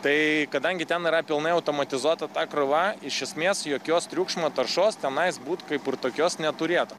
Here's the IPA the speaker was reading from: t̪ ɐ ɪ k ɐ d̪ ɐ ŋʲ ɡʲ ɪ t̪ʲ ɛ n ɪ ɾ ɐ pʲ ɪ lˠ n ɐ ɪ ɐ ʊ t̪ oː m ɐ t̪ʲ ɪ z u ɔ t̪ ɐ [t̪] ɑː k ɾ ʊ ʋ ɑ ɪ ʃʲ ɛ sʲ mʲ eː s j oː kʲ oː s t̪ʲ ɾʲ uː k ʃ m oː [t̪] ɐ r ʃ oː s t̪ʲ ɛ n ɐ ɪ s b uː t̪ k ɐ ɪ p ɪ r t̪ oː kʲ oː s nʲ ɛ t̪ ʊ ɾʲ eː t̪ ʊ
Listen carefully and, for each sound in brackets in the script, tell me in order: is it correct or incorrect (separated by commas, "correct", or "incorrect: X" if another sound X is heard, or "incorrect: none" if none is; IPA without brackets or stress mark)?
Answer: correct, correct